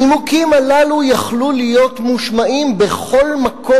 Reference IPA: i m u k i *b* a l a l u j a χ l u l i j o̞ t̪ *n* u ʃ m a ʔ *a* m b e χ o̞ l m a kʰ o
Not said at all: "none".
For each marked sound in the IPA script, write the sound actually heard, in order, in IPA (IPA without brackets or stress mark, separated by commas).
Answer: m, m, i